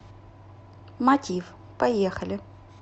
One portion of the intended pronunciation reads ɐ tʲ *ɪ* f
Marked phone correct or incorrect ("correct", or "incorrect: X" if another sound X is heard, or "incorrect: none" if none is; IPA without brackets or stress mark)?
incorrect: i